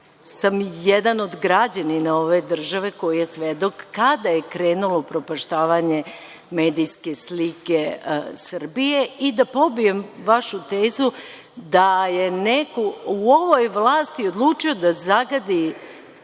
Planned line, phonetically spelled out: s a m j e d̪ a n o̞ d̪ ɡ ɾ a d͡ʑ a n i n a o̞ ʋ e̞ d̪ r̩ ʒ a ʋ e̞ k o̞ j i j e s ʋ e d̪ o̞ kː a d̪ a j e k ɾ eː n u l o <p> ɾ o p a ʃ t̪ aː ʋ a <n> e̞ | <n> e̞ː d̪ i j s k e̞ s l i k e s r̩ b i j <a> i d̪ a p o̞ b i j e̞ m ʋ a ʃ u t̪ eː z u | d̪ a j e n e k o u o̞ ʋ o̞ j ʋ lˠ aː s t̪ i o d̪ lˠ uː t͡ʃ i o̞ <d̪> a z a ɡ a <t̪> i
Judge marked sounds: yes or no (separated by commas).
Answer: yes, no, no, no, yes, no